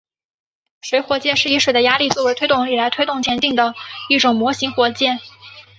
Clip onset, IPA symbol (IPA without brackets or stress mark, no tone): ʂ